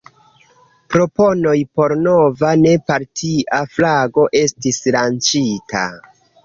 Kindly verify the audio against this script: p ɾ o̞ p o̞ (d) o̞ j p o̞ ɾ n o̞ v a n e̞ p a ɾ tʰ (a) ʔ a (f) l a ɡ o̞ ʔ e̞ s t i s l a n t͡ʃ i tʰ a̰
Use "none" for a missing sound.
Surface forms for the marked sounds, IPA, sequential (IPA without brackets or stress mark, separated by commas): n, i, f